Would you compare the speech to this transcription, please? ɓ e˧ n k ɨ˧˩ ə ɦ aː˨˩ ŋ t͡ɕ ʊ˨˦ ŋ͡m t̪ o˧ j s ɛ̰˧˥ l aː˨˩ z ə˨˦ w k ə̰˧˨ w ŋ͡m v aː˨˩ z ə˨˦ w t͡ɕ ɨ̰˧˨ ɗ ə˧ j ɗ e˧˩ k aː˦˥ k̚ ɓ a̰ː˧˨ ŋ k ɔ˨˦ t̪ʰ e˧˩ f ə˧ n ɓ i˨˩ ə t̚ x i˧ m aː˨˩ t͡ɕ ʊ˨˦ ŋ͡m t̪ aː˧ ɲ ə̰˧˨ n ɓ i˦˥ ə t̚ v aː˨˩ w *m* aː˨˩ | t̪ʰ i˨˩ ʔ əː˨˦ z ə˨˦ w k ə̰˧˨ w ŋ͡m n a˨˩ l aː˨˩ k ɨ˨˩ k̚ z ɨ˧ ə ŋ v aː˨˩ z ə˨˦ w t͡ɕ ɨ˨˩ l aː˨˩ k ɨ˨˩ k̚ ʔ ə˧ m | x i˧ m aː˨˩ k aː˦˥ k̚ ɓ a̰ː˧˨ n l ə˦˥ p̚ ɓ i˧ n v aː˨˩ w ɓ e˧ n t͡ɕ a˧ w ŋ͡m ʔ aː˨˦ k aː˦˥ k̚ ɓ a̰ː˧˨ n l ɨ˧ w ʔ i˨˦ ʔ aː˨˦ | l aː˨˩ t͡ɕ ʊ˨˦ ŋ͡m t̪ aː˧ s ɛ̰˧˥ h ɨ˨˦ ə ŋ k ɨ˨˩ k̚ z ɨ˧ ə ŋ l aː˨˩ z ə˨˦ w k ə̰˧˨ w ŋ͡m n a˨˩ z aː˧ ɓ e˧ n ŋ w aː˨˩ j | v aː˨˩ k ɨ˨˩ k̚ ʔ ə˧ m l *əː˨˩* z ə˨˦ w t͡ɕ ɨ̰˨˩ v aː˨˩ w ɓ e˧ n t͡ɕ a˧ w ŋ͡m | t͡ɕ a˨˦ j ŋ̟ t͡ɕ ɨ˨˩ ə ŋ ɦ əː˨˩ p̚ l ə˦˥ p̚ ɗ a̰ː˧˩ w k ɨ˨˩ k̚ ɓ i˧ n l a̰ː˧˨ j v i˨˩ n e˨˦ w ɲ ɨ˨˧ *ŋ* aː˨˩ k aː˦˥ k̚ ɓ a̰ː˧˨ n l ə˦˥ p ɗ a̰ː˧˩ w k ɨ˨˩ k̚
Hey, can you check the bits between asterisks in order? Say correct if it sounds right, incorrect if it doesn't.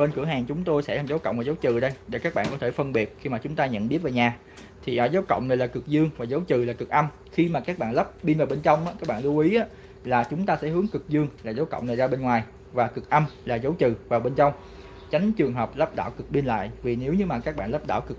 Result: incorrect: ɲ, incorrect: aː˨˩, incorrect: m

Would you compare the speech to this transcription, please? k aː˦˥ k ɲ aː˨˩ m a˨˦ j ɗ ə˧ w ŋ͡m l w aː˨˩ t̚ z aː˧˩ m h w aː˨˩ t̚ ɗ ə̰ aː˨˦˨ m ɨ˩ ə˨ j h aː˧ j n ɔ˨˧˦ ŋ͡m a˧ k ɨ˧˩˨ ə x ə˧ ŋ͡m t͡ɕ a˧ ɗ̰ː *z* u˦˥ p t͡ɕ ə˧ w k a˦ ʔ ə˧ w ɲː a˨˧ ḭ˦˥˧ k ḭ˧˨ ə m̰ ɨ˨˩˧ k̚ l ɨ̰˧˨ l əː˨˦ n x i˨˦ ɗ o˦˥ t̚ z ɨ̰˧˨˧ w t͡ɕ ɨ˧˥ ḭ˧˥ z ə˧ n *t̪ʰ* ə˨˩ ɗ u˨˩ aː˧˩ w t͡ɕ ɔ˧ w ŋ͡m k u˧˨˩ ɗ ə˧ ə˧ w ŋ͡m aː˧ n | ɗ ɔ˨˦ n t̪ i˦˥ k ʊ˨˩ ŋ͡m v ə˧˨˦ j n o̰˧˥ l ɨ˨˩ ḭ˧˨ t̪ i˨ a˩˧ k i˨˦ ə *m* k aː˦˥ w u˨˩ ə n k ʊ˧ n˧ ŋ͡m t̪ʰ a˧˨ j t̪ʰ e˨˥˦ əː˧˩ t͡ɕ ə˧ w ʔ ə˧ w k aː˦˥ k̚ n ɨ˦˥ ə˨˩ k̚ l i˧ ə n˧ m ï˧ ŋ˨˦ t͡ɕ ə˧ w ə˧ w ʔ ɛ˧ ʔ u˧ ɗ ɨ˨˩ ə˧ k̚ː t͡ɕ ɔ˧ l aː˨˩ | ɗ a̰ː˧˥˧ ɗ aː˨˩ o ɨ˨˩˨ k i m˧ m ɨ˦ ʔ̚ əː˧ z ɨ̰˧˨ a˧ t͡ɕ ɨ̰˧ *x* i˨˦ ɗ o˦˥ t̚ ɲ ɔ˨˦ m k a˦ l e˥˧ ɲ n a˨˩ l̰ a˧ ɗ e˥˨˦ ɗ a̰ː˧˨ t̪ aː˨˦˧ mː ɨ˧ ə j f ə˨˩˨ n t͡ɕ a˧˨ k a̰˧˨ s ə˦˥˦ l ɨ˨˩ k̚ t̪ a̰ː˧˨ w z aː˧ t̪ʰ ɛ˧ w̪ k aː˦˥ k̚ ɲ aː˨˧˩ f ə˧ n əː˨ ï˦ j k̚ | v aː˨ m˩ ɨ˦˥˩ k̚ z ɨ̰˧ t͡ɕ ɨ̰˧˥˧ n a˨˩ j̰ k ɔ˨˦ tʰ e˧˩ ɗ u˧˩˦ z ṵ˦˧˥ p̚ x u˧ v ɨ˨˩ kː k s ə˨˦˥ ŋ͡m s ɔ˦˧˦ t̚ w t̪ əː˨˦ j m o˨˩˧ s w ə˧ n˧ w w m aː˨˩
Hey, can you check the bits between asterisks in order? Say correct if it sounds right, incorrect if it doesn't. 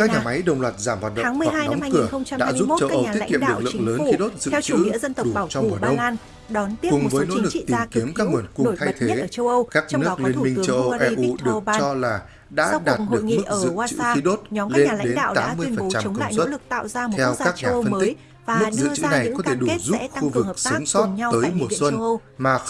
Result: correct, incorrect: t̪, correct, correct

